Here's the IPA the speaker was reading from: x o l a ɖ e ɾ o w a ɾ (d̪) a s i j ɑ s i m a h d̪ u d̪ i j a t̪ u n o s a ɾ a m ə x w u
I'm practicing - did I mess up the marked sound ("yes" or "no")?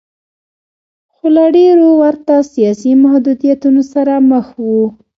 yes